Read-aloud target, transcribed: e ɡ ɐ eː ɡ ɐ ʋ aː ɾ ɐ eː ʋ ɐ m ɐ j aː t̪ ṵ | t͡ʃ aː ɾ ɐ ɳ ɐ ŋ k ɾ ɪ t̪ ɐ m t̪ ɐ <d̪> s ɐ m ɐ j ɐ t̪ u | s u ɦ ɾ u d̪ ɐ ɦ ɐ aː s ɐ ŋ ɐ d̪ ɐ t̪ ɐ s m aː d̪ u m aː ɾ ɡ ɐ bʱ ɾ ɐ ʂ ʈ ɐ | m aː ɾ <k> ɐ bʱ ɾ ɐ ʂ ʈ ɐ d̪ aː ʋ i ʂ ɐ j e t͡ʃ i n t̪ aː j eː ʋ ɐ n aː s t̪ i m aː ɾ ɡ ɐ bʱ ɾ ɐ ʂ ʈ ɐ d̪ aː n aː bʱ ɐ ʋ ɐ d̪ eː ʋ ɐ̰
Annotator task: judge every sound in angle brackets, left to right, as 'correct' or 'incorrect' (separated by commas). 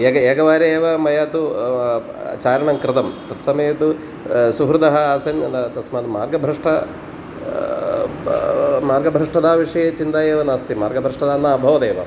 incorrect, incorrect